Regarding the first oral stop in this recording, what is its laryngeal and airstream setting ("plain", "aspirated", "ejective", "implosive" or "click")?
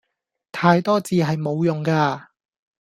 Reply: aspirated